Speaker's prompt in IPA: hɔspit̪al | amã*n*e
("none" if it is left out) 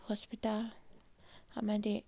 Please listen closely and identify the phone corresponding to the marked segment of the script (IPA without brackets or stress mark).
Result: d